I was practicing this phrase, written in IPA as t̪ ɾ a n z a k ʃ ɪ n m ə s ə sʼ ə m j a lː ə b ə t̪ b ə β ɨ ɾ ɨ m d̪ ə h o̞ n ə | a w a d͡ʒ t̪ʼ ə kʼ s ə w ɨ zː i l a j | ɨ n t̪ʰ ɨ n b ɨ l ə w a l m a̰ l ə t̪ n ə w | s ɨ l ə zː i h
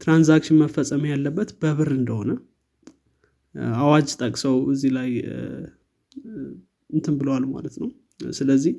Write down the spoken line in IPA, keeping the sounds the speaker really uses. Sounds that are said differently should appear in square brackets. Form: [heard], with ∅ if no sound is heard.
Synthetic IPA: t̪ ɾ a n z a k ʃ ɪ n m ə [f] ə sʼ ə m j a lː ə [bː] ə t̪ b ə β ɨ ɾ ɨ [n] d̪ ə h o̞ n ə | a w a d͡ʒ t̪ʼ ə kʼ s ə w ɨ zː i l a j | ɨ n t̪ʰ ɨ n b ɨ l ə w a l m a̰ l ə t̪ n ə w | s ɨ l ə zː i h